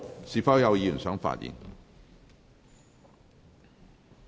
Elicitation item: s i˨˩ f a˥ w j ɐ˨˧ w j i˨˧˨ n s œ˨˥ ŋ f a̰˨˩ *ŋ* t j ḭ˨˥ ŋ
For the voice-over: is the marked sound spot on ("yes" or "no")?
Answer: no